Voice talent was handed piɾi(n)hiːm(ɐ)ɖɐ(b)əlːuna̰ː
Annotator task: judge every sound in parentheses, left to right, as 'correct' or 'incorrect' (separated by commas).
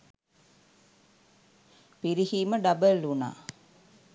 incorrect, incorrect, correct